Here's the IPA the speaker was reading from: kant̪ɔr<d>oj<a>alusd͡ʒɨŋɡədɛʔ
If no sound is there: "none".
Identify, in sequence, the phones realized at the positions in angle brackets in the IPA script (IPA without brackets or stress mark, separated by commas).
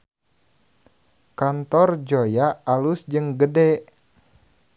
d͡ʒ, a